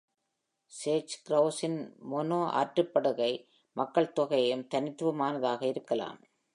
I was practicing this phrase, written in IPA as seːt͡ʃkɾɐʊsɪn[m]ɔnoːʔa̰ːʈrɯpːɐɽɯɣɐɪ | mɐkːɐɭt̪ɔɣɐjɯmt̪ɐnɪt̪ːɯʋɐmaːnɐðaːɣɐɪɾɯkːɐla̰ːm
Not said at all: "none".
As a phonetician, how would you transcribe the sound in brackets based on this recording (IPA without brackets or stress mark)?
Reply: m